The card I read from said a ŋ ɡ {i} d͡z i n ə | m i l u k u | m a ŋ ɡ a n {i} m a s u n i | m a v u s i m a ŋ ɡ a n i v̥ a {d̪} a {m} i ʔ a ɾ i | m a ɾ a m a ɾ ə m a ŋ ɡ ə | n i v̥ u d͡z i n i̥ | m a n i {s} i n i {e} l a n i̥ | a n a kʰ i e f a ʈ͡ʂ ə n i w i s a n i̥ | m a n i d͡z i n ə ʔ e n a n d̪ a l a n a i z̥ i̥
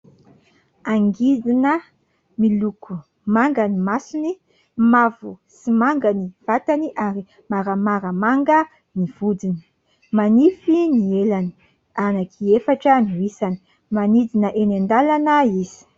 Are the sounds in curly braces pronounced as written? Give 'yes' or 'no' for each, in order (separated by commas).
yes, yes, no, no, no, yes